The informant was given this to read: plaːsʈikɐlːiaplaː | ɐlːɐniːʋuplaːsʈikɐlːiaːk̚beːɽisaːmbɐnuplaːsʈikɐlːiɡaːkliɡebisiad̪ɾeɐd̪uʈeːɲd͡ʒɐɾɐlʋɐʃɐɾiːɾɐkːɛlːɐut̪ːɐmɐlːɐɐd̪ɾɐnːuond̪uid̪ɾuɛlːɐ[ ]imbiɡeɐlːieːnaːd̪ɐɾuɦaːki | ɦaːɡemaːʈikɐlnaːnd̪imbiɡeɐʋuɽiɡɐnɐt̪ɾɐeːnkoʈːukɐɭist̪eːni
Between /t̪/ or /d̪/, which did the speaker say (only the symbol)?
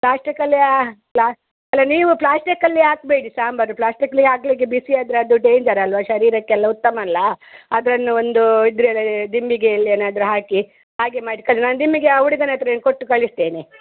d̪